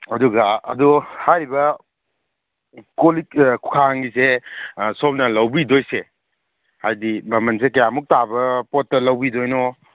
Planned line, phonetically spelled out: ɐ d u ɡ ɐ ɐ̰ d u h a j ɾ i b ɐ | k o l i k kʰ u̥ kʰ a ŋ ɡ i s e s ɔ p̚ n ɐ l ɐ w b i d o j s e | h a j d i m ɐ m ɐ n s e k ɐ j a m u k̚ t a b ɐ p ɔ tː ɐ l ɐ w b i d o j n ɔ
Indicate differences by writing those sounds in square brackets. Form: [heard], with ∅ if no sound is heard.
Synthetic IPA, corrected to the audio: ɐ d u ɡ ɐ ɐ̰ d u h a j ɾ i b ɐ | k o l i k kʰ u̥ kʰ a ŋ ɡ i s e s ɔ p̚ n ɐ l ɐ w b i d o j s e | h a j d i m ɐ m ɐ n s e k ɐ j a m u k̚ t a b ɐ p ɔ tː ɐ l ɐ w b i d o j n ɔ